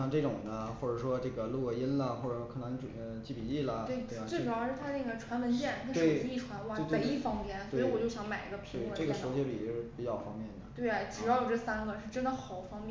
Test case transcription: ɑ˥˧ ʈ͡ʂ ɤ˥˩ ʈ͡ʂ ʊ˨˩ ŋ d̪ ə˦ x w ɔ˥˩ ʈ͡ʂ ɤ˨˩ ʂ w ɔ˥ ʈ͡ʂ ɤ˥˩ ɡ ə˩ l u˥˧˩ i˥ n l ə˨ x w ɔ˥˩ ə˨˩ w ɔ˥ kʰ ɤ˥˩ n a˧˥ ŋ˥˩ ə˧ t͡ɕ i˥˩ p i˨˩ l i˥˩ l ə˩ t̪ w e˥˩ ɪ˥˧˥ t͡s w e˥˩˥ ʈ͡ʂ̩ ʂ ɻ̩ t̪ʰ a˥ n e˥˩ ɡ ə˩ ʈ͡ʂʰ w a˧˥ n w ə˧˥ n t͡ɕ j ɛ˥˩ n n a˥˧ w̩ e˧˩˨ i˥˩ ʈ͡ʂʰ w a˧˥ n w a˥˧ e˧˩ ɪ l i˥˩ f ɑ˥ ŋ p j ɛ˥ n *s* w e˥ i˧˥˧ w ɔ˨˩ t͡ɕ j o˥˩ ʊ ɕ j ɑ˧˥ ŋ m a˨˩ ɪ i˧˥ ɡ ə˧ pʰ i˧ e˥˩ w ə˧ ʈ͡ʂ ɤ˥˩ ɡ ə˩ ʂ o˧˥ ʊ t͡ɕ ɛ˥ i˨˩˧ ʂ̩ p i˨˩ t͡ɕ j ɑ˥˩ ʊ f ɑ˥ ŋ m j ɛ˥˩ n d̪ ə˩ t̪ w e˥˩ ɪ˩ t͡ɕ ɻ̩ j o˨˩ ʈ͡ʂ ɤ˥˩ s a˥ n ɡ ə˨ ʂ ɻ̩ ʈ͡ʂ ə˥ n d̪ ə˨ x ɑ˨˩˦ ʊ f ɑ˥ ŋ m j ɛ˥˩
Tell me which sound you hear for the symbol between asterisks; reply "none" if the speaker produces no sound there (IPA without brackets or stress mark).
s